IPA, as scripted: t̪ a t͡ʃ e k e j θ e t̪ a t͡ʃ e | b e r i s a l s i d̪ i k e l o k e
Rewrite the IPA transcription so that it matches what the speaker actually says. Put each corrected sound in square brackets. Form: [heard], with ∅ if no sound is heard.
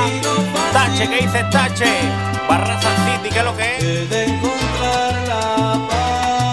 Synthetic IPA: t̪ a t͡ʃ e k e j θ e t̪ a t͡ʃ e | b [a] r [a] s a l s i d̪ i k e l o k e